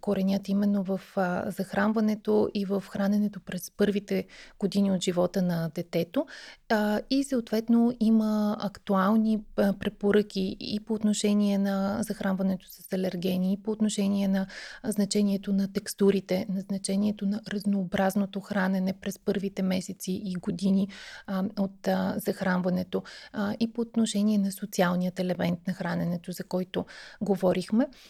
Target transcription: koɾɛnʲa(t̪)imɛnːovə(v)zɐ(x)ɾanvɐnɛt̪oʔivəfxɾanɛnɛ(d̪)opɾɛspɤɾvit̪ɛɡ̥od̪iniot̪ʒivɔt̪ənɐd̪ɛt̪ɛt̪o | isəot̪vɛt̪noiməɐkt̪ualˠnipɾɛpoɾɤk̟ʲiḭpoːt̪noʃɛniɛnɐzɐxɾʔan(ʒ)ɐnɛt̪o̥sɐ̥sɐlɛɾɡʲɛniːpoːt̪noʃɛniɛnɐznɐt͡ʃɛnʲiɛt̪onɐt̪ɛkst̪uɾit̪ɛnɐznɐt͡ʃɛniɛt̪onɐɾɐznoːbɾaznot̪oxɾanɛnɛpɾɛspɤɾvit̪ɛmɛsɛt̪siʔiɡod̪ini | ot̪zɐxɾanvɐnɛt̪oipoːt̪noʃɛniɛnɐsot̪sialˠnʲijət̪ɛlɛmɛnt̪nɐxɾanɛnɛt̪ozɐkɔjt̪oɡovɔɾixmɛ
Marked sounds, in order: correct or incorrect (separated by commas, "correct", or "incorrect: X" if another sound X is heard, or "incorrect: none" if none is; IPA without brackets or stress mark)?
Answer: correct, incorrect: f, correct, incorrect: t̪, incorrect: v